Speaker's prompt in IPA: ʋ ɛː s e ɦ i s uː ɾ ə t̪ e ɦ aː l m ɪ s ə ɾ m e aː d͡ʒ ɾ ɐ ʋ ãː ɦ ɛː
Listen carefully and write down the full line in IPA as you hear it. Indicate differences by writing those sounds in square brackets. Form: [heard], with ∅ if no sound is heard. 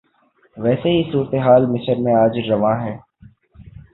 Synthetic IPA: ʋ ɛː s e ɦ i s uː ɾ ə t̪ e ɦ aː l m ɪ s ə ɾ m [ẽ] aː d͡ʒ ɾ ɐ ʋ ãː ɦ ɛː